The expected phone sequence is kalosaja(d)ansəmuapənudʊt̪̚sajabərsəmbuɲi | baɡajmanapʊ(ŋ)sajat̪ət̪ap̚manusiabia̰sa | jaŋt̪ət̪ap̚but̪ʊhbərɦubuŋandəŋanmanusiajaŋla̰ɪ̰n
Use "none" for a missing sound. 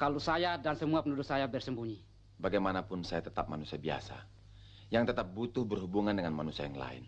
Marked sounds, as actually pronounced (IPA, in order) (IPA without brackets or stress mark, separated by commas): d, n